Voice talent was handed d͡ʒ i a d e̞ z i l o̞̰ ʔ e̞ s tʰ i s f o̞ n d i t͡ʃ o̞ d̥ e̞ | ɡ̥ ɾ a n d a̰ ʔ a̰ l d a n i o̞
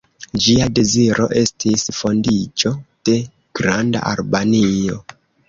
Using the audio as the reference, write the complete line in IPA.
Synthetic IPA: d͡ʒ i a d e̞ z i ɾ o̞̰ ʔ e̞ s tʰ i s f o̞ n d i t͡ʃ o̞ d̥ e̞ | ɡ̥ ɾ a n d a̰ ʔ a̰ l b a n i o̞